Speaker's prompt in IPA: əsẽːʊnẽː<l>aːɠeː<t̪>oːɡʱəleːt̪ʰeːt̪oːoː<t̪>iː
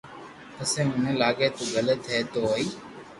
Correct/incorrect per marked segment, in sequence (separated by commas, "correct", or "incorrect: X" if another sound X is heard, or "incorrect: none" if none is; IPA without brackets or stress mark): correct, correct, incorrect: none